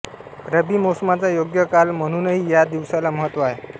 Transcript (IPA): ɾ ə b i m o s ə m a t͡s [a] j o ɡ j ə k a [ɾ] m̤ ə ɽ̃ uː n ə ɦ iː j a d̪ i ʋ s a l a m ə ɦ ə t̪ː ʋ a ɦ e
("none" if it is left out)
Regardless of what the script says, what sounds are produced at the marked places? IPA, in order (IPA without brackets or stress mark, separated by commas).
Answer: a, l